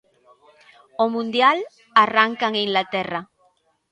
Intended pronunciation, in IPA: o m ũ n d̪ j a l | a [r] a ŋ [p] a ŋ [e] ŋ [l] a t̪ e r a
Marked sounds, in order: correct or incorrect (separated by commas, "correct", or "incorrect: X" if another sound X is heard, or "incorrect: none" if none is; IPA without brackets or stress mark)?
correct, incorrect: k, incorrect: i, correct